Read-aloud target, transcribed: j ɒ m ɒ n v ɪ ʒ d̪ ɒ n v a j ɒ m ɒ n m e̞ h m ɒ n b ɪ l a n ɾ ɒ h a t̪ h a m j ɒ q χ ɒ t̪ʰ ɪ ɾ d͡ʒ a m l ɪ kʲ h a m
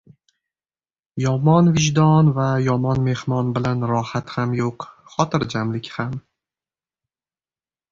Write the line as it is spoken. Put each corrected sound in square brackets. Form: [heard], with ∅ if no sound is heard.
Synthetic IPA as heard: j ɒ m ɒ n v ɪ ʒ d̪ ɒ n v a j ɒ m ɒ n m e̞ h m ɒ n b ɪ l a n ɾ ɒ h a t̪ h a m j [o] q χ ɒ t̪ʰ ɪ ɾ d͡ʒ a m l ɪ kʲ h a m